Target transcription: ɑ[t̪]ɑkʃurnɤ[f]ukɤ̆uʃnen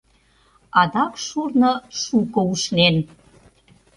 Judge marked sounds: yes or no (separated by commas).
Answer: no, no